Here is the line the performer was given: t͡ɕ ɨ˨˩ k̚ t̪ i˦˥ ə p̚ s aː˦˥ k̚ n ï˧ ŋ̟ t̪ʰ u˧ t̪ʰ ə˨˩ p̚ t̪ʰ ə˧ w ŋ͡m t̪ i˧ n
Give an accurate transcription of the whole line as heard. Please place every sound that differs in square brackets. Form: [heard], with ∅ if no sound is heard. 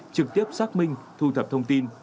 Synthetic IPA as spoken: t͡ɕ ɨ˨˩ k̚ t̪ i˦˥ ə p̚ s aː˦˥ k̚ [m] ï˧ ŋ̟ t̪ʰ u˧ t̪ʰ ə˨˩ p̚ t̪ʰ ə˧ w ŋ͡m t̪ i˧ n